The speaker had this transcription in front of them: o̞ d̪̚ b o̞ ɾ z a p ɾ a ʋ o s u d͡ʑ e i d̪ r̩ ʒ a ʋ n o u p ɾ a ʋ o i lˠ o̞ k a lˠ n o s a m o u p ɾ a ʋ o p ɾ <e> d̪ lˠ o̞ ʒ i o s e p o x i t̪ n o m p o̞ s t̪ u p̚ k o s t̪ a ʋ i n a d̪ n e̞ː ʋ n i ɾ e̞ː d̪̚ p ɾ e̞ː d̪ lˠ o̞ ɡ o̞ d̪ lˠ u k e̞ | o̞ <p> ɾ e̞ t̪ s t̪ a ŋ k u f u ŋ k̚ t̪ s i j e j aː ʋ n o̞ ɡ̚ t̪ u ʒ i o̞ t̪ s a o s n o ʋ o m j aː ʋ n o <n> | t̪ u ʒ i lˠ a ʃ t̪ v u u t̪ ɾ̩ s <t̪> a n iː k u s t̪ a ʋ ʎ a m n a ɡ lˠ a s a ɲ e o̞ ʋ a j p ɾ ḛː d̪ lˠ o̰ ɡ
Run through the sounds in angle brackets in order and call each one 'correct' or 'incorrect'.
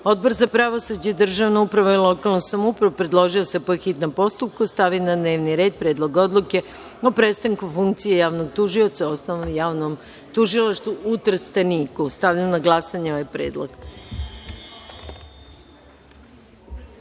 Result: correct, correct, incorrect: m, correct

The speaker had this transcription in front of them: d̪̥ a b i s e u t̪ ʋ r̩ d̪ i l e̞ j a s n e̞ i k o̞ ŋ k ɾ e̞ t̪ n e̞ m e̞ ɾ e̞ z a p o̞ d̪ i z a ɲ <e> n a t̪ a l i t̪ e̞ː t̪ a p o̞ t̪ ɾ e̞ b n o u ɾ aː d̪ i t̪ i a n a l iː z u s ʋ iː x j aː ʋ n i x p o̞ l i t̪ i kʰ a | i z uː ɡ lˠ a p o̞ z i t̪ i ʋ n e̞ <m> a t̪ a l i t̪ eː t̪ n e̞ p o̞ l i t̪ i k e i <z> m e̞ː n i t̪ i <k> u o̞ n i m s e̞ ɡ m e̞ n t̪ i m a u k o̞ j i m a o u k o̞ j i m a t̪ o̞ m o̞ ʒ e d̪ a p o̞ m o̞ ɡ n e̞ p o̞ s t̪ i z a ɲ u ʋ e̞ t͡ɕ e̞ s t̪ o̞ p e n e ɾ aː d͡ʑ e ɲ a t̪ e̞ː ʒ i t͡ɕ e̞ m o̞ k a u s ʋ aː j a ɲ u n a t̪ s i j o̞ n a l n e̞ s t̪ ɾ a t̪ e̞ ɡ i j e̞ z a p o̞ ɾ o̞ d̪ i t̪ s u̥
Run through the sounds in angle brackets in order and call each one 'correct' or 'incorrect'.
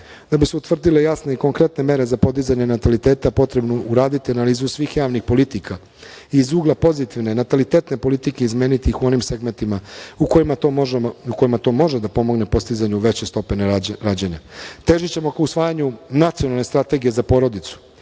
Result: correct, incorrect: n, correct, incorrect: x

